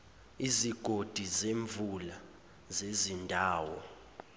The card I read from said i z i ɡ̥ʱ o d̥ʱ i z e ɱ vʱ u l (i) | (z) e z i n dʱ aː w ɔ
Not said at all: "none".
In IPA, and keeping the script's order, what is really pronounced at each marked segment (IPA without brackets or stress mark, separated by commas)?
a, z